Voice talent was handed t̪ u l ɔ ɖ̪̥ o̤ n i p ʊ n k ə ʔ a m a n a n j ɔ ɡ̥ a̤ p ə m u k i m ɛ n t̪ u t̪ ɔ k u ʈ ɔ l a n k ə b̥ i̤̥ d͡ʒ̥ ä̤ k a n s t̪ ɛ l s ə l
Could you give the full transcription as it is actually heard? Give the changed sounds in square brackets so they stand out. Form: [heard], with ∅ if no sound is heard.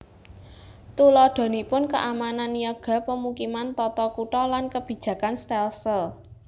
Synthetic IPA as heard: t̪ u l ɔ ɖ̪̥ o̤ n i p ʊ n k ə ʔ a m a n a n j ɔ ɡ̥ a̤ p ə m u k i m [a] n t̪ [ɔ] t̪ ɔ k u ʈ ɔ l a n k ə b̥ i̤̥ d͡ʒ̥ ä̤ k a n s t̪ ɛ l s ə l

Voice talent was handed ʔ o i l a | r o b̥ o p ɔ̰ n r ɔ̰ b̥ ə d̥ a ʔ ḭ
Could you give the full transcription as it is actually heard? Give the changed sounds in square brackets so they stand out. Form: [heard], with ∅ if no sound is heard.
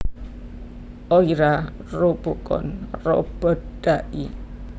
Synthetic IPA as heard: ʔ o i [ɾ] a | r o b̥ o [k] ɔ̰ n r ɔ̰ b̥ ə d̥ a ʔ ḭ

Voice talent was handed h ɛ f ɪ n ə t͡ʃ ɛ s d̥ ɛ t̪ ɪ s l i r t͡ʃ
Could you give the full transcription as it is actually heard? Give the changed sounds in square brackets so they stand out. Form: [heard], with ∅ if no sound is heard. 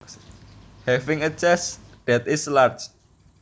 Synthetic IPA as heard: h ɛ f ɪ [ŋ] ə t͡ʃ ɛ s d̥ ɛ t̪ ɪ s l [a] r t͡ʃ

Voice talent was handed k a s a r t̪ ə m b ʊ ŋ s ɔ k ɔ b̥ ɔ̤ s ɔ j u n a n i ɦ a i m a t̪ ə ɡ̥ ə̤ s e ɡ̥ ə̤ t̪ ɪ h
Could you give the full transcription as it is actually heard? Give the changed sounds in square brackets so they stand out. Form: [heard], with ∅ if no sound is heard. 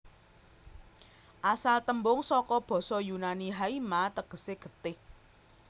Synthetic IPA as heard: [ʔ] a s a [l] t̪ ə m b ʊ ŋ s ɔ k ɔ b̥ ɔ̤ s ɔ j u n a n i ɦ a i m a t̪ ə ɡ̥ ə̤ s e ɡ̥ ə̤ t̪ ɪ h

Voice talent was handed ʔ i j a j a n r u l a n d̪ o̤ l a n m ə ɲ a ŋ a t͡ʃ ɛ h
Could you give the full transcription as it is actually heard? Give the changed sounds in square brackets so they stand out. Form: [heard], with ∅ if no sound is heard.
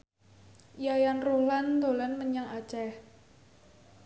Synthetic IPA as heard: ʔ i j a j a n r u l a n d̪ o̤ l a n m ə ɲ a ŋ a t͡ʃ ɛ h

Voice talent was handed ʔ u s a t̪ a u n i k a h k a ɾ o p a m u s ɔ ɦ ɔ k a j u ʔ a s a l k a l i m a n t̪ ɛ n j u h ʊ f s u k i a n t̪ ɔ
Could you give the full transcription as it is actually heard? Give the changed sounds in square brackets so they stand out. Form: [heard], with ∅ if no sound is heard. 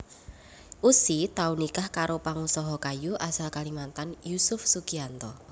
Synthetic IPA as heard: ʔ u s [i] t̪ a u n i k a h k a ɾ o p a [ŋ] u s ɔ ɦ ɔ k a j u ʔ a s a l k a l i m a n t̪ [a] n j u [s] ʊ f s u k i a n t̪ ɔ

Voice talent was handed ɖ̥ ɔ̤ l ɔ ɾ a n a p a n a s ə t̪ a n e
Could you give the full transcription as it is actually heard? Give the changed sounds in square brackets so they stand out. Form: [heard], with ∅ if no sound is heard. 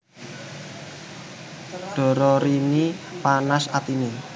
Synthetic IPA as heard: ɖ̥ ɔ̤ [ɾ] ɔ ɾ [i] n [i] p a n a s [a] t̪ [i] n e

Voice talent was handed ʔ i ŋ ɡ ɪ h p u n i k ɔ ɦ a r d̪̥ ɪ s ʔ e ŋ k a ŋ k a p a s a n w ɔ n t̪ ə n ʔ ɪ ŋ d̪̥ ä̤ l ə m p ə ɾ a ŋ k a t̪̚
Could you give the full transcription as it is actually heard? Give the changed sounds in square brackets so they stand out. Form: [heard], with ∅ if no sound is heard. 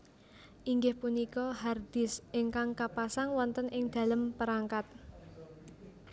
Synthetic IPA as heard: ʔ i ŋ ɡ ɪ h p u n i k ɔ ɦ a r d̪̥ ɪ s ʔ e ŋ k a ŋ k a p a s a [ŋ] w ɔ n t̪ ə n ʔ ɪ ŋ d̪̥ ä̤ l ə m p ə ɾ a ŋ k a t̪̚

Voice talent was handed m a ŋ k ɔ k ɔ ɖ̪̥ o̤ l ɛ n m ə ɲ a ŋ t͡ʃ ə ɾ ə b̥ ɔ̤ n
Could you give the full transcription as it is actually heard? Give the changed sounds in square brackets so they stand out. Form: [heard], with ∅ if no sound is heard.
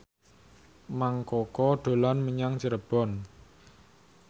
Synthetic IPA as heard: m a ŋ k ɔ k ɔ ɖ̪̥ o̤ l [a] n m ə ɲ a ŋ t͡ʃ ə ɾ ə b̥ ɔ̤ n

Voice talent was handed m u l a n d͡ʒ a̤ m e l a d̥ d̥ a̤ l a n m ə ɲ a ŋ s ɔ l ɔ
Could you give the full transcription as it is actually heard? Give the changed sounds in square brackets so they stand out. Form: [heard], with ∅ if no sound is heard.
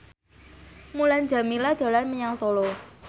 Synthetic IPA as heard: m u l a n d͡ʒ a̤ m [i] l a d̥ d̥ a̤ l a n m ə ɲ a ŋ s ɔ l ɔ

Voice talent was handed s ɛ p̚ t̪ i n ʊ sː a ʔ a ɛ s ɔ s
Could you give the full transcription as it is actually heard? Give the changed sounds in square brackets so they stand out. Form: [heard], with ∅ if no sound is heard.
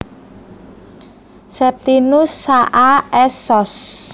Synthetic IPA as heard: s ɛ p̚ t̪ i n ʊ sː a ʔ a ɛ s ɔ s

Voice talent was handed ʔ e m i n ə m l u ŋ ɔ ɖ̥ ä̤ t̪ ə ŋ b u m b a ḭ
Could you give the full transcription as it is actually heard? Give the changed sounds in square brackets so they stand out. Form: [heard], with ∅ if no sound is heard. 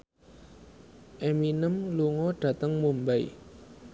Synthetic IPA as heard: ʔ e m i n ə m l u ŋ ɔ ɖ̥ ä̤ t̪ ə ŋ [m] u m b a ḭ

